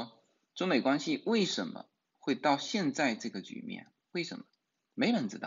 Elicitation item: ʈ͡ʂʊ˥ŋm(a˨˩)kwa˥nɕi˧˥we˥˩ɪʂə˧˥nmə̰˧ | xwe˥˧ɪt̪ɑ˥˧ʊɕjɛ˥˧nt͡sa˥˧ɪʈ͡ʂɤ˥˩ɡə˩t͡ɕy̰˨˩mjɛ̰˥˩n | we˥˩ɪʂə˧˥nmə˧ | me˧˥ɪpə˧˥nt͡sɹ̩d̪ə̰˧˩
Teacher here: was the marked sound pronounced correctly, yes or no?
no